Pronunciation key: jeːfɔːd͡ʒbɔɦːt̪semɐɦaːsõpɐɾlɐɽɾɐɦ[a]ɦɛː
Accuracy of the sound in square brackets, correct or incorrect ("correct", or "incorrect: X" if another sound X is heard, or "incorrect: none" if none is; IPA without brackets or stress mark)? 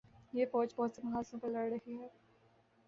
incorrect: i